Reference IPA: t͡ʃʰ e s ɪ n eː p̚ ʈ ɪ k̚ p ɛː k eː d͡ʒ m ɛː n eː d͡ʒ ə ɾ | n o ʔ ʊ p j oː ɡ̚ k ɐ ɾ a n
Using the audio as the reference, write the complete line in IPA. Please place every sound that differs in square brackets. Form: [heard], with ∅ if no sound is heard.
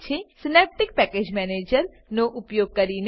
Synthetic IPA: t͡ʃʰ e s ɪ n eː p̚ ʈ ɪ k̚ p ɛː k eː d͡ʒ m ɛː n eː d͡ʒ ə ɾ | n o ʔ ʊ p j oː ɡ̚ k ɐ ɾ [i] n